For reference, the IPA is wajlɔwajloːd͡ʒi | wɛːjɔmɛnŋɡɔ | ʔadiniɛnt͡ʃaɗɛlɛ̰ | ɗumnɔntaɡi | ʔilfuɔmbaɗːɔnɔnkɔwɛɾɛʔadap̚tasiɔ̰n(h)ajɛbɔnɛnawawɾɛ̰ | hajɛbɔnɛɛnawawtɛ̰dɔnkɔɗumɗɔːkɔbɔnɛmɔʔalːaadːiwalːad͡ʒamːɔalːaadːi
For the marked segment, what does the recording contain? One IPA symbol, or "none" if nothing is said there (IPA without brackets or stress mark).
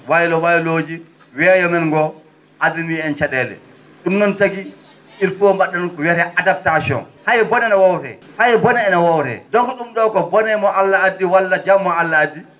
h